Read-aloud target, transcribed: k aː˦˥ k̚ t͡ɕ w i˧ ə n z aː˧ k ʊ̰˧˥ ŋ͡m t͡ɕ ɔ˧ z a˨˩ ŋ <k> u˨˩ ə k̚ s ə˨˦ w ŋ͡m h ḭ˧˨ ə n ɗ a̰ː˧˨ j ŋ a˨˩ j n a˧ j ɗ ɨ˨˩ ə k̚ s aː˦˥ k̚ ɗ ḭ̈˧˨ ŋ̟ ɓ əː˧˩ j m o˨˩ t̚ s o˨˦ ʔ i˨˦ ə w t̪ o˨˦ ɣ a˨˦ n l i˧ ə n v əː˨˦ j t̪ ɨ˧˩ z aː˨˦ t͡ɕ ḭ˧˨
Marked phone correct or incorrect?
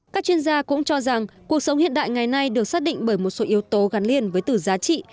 correct